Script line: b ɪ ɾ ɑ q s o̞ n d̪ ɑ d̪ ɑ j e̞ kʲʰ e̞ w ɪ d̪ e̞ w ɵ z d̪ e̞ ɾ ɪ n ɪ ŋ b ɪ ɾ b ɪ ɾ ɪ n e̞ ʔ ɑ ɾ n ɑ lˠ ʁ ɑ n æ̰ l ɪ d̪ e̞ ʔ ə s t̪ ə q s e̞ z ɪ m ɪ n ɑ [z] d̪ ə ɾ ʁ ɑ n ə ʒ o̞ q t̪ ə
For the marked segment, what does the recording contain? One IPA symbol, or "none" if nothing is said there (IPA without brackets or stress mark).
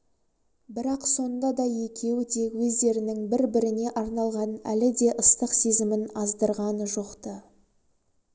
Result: z